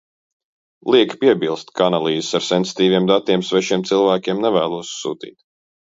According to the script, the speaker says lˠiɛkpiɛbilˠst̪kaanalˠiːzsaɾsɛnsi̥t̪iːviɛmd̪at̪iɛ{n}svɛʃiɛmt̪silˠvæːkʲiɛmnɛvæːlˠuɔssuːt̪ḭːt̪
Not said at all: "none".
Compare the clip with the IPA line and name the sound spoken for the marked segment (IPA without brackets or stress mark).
m